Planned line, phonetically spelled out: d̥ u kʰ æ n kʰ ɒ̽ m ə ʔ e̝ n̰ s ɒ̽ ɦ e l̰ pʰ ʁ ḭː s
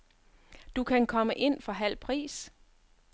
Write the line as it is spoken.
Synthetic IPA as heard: d̥ u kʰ æ n kʰ ɒ̽ m ə ʔ e̝ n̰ f ɒ̽ ɦ æ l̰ pʰ ʁ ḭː s